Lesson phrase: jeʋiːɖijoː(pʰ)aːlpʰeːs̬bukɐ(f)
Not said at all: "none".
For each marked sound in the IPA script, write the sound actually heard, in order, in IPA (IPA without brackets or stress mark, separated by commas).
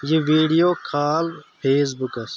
kʰ, s